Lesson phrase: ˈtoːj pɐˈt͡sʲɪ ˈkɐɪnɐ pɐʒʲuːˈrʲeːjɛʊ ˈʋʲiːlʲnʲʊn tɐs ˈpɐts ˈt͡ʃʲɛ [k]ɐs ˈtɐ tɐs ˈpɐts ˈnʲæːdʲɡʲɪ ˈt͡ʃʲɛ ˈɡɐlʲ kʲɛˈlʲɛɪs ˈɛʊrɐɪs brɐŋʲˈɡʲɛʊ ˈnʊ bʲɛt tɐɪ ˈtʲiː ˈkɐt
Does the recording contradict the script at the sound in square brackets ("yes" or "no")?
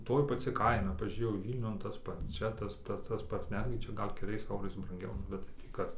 yes